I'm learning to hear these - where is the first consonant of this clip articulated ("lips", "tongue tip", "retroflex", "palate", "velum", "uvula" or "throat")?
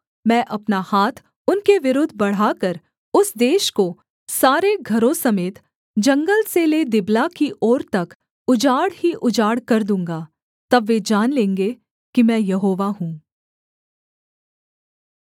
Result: lips